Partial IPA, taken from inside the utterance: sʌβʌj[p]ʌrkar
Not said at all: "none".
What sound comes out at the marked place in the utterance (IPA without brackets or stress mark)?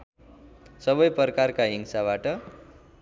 p